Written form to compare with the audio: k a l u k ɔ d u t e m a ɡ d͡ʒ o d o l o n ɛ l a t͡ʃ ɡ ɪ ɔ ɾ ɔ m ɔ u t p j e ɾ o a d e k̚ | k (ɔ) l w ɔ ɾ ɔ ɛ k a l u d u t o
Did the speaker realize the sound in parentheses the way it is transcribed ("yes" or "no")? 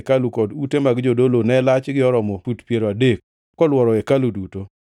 yes